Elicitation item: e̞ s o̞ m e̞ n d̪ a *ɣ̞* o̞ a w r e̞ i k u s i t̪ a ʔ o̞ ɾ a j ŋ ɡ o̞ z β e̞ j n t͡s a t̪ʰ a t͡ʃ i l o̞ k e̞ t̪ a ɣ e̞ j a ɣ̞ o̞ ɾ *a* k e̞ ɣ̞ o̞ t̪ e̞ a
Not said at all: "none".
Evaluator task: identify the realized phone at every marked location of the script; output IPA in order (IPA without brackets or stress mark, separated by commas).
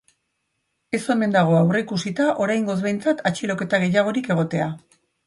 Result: ɣ̞, i